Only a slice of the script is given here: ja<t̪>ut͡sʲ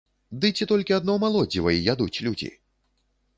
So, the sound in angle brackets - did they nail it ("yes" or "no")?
no